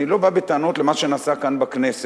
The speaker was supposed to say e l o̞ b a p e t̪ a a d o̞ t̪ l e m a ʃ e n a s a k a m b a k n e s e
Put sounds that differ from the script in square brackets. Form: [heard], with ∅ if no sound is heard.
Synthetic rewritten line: [i] l o̞ b a [b] e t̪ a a [n] o̞ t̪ l e m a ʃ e n a s a k a [n] b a k n e s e